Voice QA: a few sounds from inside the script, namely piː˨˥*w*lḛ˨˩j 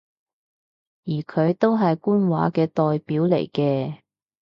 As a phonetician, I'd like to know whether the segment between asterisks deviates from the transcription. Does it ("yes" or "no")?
no